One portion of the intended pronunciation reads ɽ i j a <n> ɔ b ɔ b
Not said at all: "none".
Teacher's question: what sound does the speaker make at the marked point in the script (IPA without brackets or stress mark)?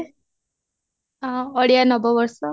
n